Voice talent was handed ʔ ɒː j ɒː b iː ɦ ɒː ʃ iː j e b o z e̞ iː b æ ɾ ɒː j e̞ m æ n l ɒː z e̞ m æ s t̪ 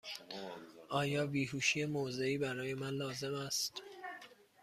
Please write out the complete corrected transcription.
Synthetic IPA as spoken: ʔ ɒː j ɒː b iː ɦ uː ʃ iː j e m o z e̞ iː b æ ɾ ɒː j e̞ m æ n l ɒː z e̞ m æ s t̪